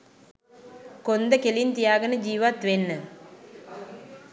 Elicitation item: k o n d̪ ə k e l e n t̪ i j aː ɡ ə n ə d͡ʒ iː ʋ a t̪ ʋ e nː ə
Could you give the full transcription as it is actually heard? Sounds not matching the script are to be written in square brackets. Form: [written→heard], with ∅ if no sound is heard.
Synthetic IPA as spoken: k o n d̪ ə k e l [e→i] n t̪ i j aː ɡ ə n ə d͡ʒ iː ʋ a t̪ ʋ e nː ə